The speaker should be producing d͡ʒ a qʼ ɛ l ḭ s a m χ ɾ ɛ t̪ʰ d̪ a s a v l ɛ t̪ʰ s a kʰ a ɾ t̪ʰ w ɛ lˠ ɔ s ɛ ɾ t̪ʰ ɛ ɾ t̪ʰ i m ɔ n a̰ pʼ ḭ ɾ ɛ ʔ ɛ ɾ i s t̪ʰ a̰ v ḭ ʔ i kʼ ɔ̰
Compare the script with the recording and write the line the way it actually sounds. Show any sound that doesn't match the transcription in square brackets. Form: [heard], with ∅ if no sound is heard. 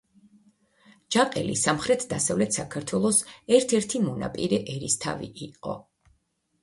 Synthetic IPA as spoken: d͡ʒ a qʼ ɛ l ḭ s a m χ ɾ ɛ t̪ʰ d̪ a s a v l ɛ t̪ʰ s a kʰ a ɾ t̪ʰ w ɛ lˠ ɔ s ɛ ɾ t̪ʰ ɛ ɾ t̪ʰ i m ɔ n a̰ pʼ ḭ ɾ ɛ ʔ ɛ ɾ i s t̪ʰ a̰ v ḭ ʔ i [qʼ] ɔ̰